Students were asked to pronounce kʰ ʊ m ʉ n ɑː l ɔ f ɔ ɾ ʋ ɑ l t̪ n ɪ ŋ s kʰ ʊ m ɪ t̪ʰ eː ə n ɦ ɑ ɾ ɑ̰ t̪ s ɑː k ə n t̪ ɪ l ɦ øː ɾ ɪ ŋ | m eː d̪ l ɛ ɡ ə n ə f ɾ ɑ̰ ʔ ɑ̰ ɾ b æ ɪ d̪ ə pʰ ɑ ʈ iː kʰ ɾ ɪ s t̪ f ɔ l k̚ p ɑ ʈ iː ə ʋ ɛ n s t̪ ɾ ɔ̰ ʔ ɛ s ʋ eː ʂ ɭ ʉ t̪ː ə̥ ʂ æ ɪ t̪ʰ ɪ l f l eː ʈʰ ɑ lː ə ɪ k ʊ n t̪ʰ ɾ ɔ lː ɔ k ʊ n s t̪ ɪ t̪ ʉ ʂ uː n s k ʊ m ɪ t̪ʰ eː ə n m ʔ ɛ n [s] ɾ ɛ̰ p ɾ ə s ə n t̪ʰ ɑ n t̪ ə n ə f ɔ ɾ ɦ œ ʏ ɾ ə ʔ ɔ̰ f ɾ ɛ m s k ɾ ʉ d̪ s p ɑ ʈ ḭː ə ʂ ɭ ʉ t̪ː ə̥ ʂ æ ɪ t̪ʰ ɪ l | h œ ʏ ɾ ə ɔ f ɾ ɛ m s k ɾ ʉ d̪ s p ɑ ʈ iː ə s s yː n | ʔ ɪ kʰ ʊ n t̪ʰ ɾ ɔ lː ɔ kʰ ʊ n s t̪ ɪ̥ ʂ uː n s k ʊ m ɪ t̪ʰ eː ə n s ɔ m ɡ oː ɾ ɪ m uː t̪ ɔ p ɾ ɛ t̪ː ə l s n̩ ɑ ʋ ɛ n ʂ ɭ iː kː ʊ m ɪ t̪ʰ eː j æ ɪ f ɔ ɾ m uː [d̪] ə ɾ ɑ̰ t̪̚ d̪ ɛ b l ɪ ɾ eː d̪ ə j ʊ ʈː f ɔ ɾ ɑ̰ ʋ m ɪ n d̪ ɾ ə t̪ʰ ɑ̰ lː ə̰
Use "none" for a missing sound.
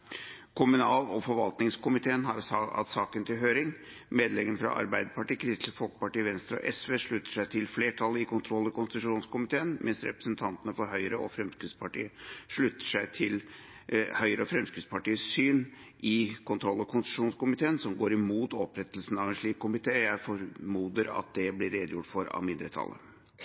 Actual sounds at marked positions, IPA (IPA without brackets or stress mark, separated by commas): s, d̪